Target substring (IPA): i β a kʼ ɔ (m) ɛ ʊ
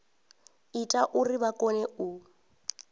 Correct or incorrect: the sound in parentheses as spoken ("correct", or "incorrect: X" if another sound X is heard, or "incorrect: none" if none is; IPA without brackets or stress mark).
incorrect: n